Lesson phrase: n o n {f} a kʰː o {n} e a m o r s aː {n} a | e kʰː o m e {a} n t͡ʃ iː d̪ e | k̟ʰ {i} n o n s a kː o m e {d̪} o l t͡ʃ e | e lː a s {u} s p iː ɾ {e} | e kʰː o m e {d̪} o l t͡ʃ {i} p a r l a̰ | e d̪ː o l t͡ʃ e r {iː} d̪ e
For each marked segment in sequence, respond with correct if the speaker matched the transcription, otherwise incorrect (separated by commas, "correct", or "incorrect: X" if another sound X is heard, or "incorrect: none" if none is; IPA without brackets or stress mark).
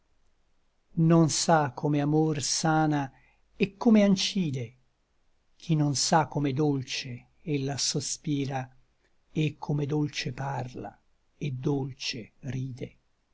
incorrect: s, incorrect: m, correct, correct, correct, correct, incorrect: o, incorrect: a, correct, incorrect: e, correct